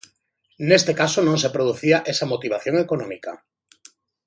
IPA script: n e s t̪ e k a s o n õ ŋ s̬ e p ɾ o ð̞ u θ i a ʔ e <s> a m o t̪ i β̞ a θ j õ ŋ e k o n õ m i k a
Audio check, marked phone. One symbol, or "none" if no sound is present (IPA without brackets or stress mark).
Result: s